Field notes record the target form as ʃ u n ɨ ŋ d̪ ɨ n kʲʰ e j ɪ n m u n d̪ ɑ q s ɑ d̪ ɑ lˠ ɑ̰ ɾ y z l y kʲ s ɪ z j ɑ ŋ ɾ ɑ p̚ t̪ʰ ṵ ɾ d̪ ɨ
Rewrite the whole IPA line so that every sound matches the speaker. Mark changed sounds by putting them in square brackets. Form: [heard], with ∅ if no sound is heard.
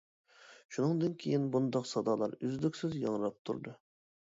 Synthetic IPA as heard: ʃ u n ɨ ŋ d̪ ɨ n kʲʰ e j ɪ n [b] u n d̪ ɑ q s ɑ d̪ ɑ lˠ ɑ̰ ɾ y z l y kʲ s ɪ z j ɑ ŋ ɾ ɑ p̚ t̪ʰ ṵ ɾ d̪ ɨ